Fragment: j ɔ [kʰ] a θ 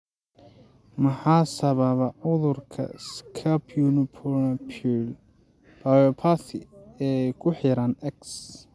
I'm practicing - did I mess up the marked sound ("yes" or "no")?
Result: yes